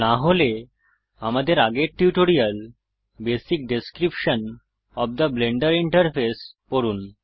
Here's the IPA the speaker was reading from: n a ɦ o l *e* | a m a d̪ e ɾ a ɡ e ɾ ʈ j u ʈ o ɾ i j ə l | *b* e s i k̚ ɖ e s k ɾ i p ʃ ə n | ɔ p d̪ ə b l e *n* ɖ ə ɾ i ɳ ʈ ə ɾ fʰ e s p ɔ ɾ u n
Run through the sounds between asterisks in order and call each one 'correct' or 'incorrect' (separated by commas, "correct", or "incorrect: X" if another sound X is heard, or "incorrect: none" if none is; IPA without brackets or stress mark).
correct, correct, incorrect: ɳ